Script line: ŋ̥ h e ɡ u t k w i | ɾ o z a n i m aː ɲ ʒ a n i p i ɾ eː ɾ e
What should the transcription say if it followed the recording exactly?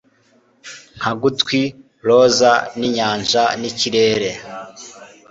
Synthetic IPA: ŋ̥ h a ɡ u t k w i | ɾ o z a n i ɲ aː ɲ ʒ a n i c i ɾ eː ɾ e